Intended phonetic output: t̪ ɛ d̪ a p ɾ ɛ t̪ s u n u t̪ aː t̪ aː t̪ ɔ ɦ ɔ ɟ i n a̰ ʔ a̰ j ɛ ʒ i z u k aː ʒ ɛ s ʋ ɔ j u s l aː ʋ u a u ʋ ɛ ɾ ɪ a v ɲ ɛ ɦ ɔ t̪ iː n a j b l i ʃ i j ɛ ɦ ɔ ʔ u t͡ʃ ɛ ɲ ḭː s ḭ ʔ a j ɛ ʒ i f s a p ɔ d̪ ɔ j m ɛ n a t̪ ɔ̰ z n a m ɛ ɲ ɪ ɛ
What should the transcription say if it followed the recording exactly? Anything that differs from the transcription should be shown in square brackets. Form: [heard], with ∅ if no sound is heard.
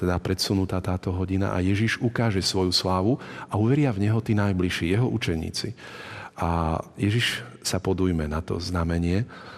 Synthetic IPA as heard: t̪ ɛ d̪ a p ɾ ɛ t̪ s u n u t̪ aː t̪ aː t̪ ɔ ɦ ɔ ɟ i n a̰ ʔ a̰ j ɛ ʒ i [ʒ] u k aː ʒ ɛ s ʋ ɔ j u s l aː ʋ u a u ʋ ɛ ɾ ɪ a v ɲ ɛ ɦ ɔ t̪ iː n a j b l i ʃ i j ɛ ɦ ɔ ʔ u t͡ʃ ɛ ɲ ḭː [t͡s] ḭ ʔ a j ɛ ʒ i [ʃ] s a p ɔ d̪ [u] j m ɛ n a t̪ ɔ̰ z n a m ɛ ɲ ɪ ɛ